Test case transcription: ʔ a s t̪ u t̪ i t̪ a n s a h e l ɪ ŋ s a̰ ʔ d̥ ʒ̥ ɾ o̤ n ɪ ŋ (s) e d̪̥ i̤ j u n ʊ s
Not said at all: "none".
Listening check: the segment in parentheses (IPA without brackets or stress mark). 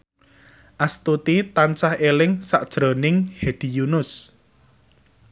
h